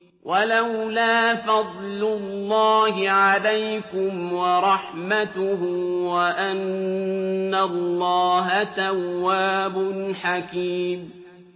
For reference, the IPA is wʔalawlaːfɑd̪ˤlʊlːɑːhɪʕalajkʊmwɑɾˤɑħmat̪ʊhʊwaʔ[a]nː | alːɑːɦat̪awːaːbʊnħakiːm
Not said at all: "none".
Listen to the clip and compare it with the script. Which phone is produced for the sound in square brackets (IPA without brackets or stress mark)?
a